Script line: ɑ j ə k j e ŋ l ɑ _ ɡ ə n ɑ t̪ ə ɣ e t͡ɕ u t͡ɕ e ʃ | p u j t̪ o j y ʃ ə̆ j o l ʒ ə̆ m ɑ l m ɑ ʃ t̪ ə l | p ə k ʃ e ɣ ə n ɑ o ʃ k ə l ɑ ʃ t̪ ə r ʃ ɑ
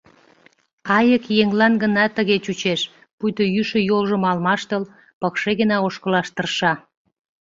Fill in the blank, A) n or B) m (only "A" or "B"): A